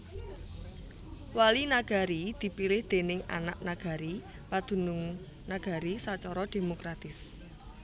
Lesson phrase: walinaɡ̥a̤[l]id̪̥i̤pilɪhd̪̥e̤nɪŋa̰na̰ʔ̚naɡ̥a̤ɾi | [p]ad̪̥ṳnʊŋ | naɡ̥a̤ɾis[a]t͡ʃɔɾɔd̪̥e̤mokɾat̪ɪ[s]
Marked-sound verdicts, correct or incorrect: incorrect: ɾ, correct, correct, correct

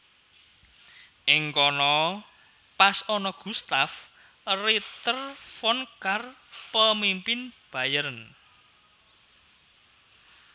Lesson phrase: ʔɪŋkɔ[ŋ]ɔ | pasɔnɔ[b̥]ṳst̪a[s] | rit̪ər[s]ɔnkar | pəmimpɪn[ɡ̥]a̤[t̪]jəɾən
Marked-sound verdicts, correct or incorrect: incorrect: n, incorrect: ɡ̥, incorrect: f, incorrect: f, incorrect: b̥, incorrect: none

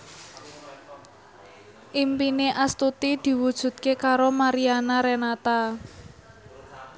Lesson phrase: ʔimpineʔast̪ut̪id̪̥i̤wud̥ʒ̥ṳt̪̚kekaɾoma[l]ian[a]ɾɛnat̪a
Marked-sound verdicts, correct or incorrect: incorrect: ɾ, correct

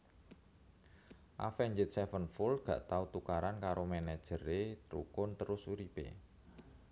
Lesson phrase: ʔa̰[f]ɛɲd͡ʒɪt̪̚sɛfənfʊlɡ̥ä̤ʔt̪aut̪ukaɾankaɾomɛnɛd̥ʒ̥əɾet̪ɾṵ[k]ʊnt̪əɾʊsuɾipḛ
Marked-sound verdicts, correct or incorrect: correct, correct

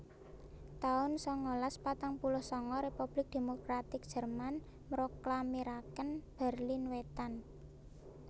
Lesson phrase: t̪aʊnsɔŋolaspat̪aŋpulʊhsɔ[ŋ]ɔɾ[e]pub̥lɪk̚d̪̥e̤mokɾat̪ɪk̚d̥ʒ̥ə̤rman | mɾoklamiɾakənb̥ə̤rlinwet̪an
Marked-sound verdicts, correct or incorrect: correct, correct

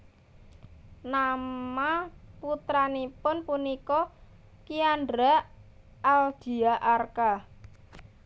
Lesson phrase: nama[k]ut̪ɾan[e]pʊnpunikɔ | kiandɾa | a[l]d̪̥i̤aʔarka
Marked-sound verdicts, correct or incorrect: incorrect: p, incorrect: i, correct

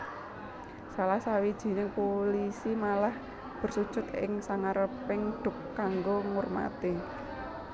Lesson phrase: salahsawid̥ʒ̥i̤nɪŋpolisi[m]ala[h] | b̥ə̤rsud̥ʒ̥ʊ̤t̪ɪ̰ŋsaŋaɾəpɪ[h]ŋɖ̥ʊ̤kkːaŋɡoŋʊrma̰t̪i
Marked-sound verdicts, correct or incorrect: correct, correct, incorrect: none

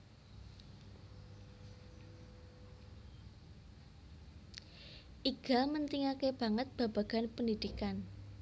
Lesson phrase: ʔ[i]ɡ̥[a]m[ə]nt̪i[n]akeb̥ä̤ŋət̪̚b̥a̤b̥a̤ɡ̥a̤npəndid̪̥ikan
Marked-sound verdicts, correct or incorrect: correct, correct, correct, incorrect: ŋ

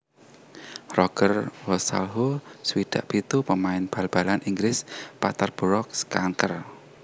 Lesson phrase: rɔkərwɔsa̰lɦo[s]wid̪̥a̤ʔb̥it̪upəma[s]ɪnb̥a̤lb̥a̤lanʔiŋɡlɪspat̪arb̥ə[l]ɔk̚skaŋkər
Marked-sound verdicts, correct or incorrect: correct, incorrect: none, incorrect: ɾ

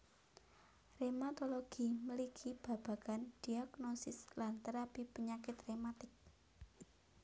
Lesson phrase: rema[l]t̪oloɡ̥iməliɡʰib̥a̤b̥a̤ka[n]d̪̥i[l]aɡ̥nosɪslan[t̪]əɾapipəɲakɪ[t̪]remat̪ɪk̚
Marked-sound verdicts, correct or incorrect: incorrect: none, correct, incorrect: none, correct, correct

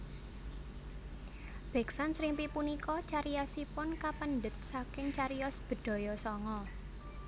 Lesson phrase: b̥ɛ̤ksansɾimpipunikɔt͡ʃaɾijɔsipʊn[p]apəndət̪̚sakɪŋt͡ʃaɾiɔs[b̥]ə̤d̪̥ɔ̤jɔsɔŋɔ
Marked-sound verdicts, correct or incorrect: incorrect: k, correct

